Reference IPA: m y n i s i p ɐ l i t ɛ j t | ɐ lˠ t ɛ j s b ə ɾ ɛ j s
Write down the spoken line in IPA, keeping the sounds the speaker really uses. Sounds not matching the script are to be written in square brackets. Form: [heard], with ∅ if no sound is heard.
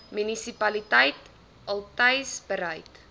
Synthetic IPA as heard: m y n i s i p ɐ l i t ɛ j t | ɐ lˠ t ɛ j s b ə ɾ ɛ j [t]